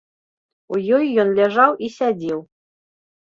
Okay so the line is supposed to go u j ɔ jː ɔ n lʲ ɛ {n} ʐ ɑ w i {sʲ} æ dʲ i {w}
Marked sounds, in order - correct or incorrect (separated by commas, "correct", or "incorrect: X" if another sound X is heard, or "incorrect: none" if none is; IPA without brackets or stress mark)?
incorrect: none, correct, correct